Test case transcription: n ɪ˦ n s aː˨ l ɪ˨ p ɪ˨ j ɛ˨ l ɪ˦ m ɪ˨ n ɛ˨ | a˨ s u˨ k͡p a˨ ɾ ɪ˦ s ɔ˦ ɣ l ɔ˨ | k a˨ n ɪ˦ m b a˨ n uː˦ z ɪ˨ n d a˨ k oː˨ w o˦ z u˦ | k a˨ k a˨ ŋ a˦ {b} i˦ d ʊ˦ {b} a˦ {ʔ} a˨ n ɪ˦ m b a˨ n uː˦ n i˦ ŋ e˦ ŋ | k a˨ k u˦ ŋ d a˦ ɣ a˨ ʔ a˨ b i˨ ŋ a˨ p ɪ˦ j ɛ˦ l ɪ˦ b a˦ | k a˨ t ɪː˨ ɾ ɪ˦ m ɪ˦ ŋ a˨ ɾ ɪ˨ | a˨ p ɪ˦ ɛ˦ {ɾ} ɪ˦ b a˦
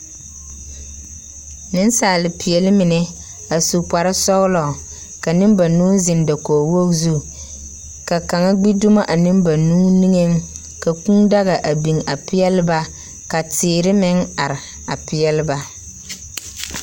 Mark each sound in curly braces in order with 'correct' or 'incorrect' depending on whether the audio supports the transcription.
incorrect, incorrect, correct, incorrect

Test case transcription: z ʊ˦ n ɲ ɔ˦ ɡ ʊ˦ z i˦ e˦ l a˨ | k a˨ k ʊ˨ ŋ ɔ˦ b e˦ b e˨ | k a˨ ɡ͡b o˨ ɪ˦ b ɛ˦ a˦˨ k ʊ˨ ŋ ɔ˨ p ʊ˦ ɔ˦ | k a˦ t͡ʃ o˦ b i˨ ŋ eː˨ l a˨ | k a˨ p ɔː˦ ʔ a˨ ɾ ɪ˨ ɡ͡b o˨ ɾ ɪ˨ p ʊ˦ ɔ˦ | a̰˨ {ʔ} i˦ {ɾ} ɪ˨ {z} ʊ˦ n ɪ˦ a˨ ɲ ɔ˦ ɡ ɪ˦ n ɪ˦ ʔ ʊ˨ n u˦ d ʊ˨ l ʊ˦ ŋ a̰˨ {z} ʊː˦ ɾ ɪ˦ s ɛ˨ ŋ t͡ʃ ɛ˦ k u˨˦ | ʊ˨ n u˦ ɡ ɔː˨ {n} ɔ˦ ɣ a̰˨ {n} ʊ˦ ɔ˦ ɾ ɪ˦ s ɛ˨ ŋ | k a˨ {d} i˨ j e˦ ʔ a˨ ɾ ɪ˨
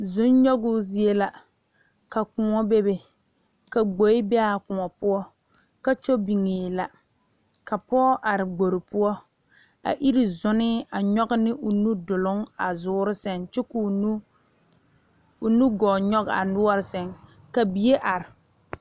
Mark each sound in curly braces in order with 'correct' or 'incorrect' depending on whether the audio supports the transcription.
correct, correct, correct, correct, incorrect, correct, incorrect

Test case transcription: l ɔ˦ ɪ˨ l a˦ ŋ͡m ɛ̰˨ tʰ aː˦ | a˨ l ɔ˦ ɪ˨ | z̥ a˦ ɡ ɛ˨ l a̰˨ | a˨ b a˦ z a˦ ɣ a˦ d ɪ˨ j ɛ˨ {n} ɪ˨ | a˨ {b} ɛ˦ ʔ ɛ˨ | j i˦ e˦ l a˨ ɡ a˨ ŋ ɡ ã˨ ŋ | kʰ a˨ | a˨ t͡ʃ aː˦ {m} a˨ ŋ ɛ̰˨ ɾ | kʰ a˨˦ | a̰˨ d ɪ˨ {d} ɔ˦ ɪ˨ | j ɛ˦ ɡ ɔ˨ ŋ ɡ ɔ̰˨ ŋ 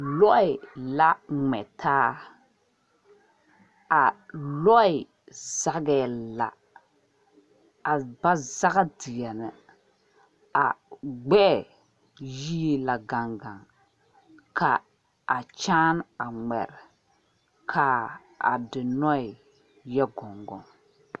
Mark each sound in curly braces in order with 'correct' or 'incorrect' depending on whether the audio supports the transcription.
correct, incorrect, incorrect, incorrect

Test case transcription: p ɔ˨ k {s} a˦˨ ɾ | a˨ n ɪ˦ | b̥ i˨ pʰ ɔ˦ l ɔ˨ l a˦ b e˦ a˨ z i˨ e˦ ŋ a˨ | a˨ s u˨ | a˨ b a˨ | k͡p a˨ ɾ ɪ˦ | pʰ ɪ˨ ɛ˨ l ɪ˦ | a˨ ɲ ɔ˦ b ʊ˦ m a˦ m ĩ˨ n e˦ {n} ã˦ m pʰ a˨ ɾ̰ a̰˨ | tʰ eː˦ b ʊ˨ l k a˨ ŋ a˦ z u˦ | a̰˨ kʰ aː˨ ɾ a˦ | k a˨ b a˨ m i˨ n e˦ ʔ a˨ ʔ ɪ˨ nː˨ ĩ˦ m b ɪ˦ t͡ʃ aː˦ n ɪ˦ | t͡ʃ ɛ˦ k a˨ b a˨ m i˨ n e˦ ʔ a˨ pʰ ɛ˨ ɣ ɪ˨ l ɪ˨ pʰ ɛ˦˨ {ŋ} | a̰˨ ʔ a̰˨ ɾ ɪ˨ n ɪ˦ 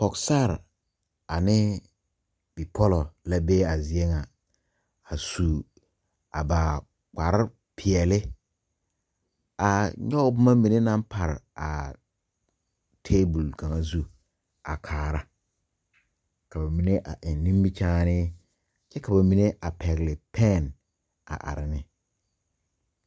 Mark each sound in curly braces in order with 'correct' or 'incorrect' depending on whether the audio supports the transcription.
correct, correct, incorrect

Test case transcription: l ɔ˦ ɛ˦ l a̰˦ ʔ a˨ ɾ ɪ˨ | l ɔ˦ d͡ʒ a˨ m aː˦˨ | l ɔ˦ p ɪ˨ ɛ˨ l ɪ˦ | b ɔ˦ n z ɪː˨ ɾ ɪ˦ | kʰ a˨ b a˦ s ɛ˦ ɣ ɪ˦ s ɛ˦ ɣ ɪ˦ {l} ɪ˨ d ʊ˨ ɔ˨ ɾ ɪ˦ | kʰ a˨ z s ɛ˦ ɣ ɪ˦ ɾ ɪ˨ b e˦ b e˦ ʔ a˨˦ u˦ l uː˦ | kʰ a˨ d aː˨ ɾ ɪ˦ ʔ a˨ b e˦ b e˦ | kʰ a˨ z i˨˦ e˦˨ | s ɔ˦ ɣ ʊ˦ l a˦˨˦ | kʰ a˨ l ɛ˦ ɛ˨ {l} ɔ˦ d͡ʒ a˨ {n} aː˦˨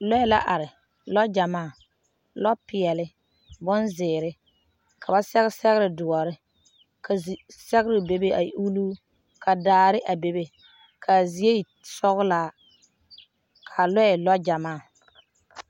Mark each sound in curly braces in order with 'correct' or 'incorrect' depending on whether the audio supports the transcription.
incorrect, correct, incorrect

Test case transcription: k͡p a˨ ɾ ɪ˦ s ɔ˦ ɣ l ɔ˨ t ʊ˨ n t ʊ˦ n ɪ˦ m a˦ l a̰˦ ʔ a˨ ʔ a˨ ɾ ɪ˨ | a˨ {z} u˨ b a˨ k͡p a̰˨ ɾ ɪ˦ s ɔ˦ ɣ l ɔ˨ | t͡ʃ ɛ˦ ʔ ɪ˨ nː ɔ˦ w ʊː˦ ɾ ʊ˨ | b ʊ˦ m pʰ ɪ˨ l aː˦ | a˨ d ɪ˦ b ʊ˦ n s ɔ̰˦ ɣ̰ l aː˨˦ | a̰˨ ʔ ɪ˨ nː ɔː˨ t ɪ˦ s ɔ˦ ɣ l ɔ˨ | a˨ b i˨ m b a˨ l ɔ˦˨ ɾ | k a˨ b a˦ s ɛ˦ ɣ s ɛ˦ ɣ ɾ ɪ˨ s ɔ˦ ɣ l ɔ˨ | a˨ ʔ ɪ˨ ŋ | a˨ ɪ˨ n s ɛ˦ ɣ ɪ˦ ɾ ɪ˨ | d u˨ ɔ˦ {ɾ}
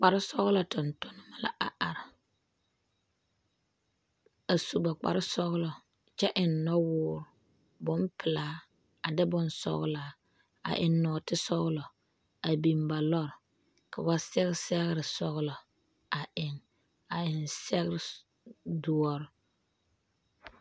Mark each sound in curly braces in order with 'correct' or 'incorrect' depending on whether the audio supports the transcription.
incorrect, correct

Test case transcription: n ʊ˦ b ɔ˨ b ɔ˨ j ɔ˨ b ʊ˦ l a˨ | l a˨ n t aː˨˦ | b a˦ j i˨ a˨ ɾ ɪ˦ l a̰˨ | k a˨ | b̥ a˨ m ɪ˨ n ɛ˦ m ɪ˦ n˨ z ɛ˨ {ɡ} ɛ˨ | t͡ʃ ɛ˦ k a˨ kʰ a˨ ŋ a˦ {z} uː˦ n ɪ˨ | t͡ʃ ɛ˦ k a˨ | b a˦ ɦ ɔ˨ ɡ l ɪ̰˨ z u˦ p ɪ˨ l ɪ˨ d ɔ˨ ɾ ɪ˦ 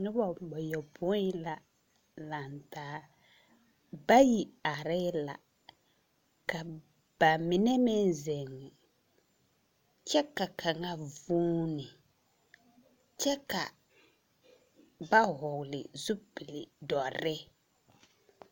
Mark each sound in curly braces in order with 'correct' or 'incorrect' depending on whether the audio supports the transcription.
incorrect, incorrect

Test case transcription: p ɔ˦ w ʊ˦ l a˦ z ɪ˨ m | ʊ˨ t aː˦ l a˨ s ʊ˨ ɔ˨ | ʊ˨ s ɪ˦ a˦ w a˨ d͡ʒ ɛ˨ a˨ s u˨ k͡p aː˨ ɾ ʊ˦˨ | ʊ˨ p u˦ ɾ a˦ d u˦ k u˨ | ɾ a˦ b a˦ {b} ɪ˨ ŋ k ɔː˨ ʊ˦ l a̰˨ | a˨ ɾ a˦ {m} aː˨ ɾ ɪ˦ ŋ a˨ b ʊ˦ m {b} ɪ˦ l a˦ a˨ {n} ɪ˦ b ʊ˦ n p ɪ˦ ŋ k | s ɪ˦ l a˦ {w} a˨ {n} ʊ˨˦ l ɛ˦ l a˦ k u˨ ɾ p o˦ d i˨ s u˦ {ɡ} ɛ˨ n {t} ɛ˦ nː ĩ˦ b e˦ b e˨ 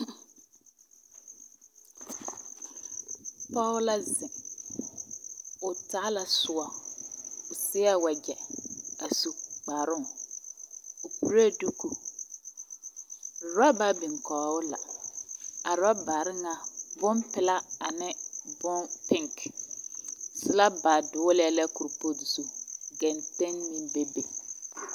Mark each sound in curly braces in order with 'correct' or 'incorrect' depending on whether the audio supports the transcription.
correct, incorrect, incorrect, correct, incorrect, incorrect, correct, correct

